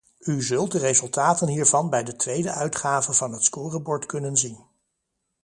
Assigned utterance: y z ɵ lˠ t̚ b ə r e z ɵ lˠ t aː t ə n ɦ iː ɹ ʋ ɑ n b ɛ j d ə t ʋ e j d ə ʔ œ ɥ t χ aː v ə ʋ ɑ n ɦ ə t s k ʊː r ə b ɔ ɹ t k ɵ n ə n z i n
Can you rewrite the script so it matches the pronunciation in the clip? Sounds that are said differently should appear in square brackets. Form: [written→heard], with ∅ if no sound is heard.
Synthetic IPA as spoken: y z ɵ lˠ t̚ [b→d] ə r e z ɵ lˠ t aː t ə n ɦ iː ɹ [ʋ→v] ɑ n b ɛ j d ə t ʋ e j d ə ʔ œ ɥ t χ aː v ə [ʋ→v] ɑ n ɦ ə t s k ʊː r ə b ɔ ɹ t k ɵ n ə n z i n